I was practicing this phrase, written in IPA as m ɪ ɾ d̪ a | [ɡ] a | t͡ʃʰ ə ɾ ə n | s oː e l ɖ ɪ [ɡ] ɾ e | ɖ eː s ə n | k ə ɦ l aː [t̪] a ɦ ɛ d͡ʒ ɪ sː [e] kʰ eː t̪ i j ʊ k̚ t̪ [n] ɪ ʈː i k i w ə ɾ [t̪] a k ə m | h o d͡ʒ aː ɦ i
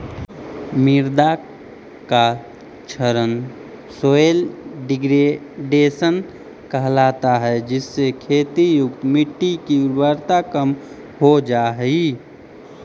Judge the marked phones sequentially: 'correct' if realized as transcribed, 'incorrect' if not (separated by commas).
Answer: incorrect, correct, correct, correct, incorrect, correct